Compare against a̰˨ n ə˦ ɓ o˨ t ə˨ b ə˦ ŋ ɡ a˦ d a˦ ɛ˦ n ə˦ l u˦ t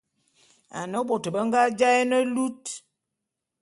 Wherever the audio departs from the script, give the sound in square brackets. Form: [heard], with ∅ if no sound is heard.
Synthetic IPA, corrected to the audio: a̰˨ n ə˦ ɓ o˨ t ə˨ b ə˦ ŋ ɡ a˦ [d͡ʒ] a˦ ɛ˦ n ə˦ l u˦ t